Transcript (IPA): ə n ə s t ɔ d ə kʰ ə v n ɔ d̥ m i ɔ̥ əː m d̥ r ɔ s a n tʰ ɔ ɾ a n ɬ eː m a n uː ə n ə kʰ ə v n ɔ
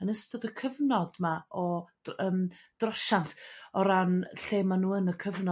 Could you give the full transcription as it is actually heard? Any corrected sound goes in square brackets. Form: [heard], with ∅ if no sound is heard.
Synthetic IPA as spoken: ə n ə s t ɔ d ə kʰ ə v n ɔ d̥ m [a] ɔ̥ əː m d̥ r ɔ [ʃ] a n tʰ ɔ ɾ a n ɬ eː m a n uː ə n ə kʰ ə v n ɔ